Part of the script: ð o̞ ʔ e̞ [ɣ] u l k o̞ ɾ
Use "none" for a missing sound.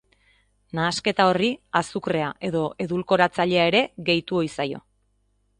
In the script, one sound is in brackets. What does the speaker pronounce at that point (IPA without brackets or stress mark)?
ð